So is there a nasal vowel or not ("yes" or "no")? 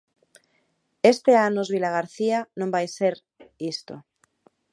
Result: yes